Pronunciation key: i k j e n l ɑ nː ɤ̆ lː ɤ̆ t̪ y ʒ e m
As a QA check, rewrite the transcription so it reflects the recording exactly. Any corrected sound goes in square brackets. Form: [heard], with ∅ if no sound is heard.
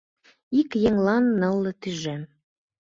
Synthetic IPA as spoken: i k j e [ŋ] l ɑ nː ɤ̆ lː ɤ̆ t̪ y ʒ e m